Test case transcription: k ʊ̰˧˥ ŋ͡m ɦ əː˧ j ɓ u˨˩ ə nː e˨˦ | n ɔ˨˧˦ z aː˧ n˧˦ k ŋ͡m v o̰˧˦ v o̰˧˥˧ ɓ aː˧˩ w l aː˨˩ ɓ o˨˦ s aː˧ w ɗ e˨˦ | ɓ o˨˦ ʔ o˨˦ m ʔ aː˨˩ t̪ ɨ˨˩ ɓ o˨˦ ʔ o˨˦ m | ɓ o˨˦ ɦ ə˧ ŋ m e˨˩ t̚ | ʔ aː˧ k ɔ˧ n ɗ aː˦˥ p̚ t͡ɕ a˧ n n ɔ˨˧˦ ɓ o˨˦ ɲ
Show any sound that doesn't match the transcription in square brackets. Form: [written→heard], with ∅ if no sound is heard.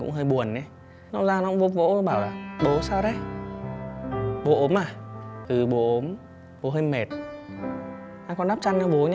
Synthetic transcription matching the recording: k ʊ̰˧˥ ŋ͡m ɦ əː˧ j ɓ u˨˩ ə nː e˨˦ | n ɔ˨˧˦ z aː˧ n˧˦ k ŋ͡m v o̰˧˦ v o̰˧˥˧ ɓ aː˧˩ w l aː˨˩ ɓ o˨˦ s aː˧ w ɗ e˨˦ | ɓ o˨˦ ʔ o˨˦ m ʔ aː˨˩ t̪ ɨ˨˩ ɓ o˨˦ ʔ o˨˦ m | ɓ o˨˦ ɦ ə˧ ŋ m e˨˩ t̚ | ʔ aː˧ k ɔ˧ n ɗ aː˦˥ p̚ t͡ɕ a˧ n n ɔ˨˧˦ ɓ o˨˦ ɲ